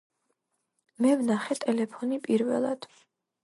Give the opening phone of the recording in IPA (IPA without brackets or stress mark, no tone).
m